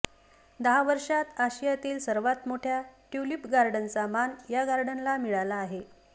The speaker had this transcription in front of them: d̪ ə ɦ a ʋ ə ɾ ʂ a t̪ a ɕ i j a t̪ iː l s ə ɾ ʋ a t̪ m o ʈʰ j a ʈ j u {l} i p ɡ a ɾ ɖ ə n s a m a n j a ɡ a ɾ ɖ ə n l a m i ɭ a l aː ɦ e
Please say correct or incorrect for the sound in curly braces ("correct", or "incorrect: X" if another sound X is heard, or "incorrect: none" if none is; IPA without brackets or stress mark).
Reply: correct